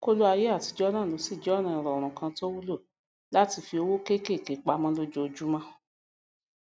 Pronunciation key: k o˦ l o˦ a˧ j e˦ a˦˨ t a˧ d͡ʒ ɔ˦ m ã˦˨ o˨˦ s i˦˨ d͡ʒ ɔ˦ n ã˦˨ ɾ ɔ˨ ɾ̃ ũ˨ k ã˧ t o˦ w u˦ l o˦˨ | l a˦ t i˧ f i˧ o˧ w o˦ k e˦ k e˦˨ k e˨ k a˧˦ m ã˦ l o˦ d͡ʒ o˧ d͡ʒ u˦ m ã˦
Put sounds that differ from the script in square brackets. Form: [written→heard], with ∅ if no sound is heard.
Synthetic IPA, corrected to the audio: k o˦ l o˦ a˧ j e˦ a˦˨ t [a˧→i˧] d͡ʒ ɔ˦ [m→n] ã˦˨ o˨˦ s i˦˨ d͡ʒ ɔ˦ n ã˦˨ ɾ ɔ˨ ɾ̃ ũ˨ k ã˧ t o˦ w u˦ l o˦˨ | l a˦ t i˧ f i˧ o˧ w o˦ k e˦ k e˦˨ k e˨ [k→k͡p] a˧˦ m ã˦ l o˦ d͡ʒ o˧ d͡ʒ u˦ m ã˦